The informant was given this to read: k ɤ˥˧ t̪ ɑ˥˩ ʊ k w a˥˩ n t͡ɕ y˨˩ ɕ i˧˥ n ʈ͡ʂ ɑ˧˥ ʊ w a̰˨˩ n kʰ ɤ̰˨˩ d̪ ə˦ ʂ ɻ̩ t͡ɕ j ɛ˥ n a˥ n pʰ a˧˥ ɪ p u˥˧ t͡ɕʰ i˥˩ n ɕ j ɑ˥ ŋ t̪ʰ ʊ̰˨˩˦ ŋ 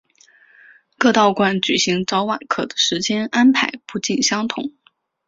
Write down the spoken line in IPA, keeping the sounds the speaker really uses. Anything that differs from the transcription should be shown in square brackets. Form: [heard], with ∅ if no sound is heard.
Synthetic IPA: k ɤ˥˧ t̪ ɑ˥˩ ʊ k w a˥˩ n t͡ɕ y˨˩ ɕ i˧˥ [ŋ] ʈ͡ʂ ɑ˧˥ ʊ w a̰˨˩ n kʰ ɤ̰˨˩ d̪ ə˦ ʂ ɻ̩ t͡ɕ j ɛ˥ n a˥ n pʰ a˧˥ ɪ p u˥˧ [t͡ɕ] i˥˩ n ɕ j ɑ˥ ŋ t̪ʰ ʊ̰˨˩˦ ŋ